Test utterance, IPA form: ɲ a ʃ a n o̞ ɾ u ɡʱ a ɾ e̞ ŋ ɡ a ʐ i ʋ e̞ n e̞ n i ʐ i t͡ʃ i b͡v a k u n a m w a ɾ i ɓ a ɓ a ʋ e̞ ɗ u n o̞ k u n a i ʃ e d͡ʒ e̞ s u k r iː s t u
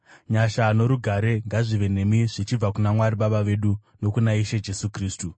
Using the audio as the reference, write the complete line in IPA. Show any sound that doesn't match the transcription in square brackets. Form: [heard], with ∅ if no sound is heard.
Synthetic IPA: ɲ a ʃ a n o̞ ɾ u ɡʱ a ɾ e̞ ŋ ɡ a ʐ i ʋ e̞ n e̞ [m] i ʐ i t͡ʃ i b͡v a k u n a m w a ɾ i ɓ a ɓ a ʋ e̞ ɗ u n o̞ k u n a i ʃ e d͡ʒ e̞ s u k r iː s t u